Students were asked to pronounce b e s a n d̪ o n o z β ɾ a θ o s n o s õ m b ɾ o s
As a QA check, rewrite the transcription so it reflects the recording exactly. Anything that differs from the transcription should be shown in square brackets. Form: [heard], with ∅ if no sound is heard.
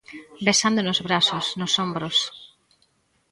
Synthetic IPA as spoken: b e s a n d̪ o n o z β ɾ a [s] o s n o s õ m b ɾ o s